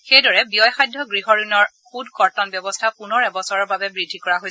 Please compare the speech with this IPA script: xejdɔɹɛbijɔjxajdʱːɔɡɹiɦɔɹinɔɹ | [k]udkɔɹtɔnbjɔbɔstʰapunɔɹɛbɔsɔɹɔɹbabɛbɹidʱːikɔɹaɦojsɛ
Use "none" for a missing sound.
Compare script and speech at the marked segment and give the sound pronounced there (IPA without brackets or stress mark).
x